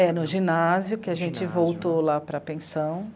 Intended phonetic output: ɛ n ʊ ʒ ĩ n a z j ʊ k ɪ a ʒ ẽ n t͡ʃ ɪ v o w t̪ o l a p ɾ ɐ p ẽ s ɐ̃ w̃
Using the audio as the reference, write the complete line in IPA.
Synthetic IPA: ɛ n ʊ ʒ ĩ n a z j ʊ k ɪ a ʒ ẽ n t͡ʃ ɪ v o w t̪ o l a p ɾ ɐ p ẽ s ɐ̃ w̃